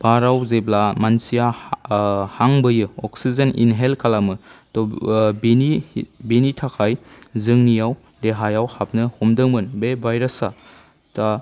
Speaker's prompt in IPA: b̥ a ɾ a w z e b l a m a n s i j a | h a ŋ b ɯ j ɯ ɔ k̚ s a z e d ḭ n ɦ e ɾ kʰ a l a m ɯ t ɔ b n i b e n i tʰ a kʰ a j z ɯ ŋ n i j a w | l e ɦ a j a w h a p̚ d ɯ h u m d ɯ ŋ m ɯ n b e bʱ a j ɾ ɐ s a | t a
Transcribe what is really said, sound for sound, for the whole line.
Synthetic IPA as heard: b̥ a ɾ a w z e b l a m a n s i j a | h a ŋ b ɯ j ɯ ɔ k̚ s i z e n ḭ n ɦ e l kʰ a l a m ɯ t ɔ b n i b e n i tʰ a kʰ a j z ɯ ŋ n i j a w | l e ɦ a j a w h a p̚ n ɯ h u m d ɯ ŋ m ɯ n b e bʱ a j ɾ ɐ s a | t a